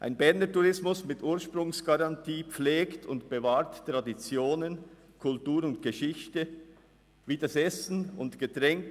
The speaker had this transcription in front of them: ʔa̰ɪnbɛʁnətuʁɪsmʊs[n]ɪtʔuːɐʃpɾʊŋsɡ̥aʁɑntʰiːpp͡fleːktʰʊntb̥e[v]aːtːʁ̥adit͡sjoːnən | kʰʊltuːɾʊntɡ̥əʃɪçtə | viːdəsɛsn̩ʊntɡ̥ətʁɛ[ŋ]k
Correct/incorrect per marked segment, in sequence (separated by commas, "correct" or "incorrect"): incorrect, correct, correct